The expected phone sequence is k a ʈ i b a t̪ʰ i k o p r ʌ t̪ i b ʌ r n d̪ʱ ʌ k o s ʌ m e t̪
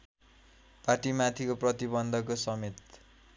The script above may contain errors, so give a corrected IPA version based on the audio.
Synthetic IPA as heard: p a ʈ i m a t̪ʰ i k o p r ʌ t̪ i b ʌ n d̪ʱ ʌ k o s ʌ m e t̪